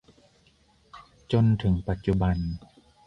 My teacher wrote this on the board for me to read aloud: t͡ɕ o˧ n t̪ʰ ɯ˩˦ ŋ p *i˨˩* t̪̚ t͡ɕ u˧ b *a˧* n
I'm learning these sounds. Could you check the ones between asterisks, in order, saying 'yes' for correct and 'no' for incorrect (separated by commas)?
no, yes